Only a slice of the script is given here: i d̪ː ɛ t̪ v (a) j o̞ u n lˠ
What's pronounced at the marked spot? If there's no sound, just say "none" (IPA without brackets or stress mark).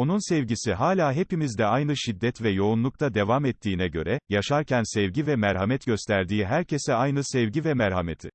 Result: ɛ